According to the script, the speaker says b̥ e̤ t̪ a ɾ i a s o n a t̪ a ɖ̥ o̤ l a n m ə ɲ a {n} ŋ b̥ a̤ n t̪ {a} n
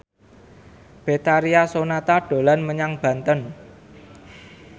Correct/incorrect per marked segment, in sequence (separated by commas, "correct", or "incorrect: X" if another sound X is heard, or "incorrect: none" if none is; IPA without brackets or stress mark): incorrect: none, incorrect: ə